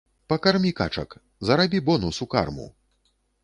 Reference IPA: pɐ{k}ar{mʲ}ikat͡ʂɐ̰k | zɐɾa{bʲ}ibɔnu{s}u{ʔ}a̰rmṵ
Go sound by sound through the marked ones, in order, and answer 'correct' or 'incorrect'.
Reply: correct, correct, correct, correct, incorrect: k

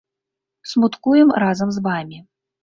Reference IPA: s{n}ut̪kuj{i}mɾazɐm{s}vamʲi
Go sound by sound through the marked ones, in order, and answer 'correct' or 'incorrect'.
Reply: incorrect: m, incorrect: ɛ, incorrect: z

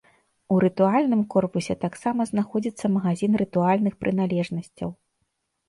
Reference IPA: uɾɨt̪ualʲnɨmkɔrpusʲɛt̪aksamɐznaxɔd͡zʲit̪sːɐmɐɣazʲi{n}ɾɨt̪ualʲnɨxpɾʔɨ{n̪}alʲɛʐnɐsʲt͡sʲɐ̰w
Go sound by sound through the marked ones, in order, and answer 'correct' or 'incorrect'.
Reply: correct, correct

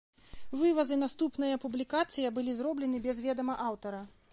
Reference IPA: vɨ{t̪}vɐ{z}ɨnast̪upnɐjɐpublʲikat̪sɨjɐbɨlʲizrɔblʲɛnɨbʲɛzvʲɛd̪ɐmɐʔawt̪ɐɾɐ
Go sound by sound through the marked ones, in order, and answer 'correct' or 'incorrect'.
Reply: incorrect: none, correct

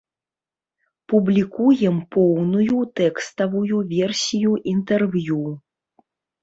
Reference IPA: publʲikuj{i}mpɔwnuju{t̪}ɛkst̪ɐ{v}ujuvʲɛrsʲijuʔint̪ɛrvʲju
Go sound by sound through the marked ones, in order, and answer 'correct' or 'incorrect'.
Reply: incorrect: ɛ, correct, correct

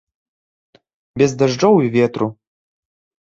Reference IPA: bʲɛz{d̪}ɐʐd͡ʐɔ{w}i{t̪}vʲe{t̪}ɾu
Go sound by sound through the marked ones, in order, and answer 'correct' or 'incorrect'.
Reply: correct, correct, incorrect: none, correct

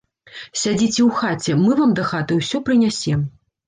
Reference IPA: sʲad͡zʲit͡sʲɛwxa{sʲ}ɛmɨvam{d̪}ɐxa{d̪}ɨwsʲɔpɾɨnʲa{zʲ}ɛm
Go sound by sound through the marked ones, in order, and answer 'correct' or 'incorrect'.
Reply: incorrect: t͡sʲ, correct, incorrect: t̪, incorrect: sʲ

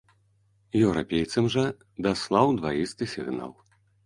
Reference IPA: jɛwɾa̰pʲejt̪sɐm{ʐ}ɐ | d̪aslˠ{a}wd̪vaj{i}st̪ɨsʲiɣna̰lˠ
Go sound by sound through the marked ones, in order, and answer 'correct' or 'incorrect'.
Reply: correct, correct, correct

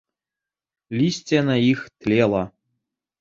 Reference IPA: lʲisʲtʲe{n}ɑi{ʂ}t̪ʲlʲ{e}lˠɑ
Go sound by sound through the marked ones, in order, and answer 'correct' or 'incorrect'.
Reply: correct, incorrect: x, correct

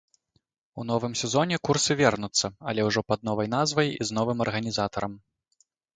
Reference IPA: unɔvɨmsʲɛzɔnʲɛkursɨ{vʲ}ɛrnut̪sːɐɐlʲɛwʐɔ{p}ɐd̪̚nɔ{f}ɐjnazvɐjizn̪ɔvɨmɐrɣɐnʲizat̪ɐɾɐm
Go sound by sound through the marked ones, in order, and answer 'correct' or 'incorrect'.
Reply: correct, correct, incorrect: v

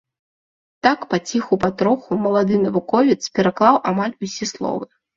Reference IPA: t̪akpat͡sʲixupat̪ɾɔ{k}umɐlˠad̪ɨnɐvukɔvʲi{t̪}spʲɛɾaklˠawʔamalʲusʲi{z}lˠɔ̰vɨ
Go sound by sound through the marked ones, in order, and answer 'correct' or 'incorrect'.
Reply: incorrect: x, correct, incorrect: s

